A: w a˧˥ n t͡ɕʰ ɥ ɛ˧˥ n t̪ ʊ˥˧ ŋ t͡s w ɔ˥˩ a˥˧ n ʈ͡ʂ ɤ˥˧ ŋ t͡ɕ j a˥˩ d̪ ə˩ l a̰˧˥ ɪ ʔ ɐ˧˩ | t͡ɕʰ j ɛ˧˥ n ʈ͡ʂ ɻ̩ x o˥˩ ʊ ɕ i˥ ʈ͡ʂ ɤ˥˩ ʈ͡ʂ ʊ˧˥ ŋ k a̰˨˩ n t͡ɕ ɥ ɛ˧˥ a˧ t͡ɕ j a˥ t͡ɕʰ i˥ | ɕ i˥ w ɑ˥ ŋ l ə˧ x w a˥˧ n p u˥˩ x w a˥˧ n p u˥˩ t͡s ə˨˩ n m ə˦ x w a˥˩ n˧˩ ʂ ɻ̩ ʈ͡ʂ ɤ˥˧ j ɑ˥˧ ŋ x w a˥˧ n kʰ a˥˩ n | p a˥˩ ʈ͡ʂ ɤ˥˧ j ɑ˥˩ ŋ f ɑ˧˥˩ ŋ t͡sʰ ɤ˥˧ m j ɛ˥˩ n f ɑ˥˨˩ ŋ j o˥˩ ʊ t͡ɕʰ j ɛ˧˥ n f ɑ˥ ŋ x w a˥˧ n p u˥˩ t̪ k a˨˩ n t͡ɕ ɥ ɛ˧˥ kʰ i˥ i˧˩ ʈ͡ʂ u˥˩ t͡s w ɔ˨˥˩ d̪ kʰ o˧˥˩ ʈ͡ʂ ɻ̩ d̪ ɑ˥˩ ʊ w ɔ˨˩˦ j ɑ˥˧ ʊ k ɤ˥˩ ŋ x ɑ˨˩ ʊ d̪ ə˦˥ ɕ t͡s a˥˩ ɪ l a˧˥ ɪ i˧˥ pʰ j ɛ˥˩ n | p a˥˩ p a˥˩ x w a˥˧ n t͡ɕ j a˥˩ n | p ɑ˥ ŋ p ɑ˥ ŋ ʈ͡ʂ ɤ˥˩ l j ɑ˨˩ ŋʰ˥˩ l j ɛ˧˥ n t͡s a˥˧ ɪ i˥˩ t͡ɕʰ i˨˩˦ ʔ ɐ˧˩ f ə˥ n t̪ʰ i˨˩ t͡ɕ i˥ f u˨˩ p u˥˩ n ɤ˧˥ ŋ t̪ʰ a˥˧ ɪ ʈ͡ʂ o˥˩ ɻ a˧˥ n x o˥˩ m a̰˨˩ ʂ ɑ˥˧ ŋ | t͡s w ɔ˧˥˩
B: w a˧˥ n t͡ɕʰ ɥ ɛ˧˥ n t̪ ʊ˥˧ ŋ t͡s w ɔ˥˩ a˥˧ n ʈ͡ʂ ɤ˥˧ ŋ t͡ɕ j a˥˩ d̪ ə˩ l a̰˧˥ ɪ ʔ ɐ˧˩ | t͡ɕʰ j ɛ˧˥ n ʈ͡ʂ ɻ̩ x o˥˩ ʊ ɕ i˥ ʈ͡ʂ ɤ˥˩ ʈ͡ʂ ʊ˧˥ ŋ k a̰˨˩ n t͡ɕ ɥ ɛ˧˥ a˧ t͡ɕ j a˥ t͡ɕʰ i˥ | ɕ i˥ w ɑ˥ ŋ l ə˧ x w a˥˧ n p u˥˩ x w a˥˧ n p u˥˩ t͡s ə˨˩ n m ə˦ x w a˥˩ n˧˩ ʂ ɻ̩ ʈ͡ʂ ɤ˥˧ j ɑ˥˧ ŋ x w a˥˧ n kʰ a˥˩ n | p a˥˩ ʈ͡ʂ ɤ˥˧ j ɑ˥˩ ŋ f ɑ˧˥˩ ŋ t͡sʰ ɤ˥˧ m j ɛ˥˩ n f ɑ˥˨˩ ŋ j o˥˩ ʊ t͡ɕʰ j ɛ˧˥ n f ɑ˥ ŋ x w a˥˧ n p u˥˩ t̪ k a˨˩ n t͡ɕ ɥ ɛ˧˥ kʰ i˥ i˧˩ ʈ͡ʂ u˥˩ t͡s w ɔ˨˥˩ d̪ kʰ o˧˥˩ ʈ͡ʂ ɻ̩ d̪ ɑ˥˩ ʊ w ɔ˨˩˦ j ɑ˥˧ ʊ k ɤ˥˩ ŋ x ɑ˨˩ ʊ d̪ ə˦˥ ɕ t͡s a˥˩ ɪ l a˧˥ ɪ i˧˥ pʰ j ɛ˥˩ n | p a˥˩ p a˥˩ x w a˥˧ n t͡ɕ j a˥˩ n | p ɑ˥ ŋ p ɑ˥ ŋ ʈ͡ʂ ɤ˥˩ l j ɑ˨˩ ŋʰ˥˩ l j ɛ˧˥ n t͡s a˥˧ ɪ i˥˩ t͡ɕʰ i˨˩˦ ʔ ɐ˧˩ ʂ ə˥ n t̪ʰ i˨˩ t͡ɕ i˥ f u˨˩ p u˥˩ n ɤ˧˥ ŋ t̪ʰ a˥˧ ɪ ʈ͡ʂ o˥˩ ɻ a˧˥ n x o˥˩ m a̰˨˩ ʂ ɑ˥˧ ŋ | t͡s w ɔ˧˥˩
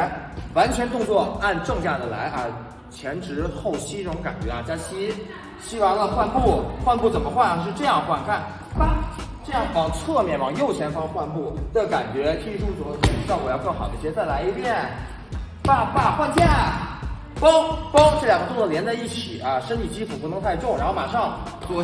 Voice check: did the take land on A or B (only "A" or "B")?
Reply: B